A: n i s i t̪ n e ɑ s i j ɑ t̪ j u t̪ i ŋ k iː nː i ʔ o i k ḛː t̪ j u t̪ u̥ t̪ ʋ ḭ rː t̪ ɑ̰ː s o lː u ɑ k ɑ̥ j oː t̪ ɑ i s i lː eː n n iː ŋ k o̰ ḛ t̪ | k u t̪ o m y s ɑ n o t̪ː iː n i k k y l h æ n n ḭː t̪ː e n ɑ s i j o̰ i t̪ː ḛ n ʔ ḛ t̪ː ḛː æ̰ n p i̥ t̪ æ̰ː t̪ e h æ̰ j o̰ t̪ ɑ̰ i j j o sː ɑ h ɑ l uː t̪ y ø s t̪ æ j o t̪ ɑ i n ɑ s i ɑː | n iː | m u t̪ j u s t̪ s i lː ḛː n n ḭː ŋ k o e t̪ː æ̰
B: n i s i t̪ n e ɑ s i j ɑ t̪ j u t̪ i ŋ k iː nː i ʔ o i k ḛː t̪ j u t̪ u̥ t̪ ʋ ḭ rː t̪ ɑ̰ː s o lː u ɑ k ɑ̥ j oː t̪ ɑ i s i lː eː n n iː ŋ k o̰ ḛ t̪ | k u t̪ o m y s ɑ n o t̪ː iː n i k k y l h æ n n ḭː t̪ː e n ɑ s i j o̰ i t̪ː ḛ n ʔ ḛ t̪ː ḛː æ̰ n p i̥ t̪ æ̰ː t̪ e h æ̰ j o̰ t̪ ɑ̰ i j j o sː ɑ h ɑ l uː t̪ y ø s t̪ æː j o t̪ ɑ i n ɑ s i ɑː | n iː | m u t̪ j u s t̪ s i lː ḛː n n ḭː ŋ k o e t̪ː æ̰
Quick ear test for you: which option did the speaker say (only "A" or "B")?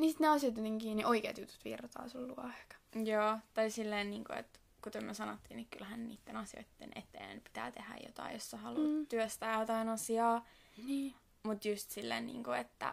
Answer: B